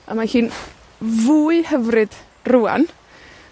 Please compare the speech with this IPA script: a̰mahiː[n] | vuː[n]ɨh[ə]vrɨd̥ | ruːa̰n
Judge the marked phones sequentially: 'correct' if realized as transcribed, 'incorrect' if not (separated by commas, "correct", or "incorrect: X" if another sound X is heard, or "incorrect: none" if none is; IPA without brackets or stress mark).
correct, incorrect: none, correct